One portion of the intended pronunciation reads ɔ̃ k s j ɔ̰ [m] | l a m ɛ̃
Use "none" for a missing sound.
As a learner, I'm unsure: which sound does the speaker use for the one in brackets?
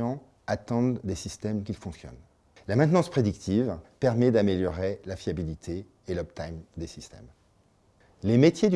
n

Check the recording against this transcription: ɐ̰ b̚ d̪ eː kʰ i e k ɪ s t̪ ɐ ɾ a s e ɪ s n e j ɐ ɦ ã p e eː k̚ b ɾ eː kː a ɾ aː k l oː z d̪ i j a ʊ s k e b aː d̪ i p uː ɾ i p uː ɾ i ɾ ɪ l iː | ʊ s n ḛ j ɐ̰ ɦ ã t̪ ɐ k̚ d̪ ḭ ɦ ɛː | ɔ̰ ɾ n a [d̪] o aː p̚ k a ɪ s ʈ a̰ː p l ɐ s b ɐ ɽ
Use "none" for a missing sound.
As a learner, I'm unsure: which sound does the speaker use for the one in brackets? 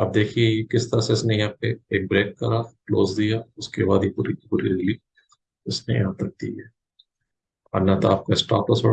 t̪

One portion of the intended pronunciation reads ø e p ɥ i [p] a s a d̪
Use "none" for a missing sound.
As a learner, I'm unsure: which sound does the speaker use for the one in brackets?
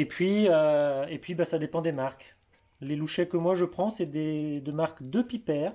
b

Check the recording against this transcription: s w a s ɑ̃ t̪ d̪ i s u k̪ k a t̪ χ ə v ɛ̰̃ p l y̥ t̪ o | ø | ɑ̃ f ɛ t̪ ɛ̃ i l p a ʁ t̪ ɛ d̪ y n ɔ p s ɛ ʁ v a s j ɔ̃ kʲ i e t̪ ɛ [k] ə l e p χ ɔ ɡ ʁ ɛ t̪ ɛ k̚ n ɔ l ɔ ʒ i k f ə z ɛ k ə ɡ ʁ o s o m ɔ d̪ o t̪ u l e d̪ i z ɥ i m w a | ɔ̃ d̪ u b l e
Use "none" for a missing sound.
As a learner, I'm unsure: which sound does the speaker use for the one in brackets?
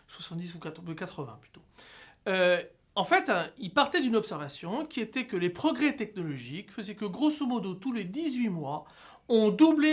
k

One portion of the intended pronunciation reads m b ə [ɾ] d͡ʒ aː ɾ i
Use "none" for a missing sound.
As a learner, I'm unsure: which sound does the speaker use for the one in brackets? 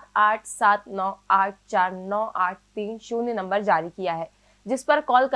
ɾ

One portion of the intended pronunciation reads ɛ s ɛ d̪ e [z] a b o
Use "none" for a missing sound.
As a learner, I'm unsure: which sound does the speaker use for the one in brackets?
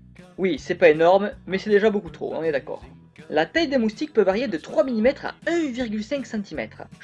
ʒ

